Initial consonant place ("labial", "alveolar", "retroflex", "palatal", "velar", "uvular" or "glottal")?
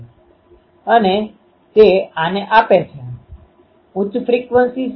alveolar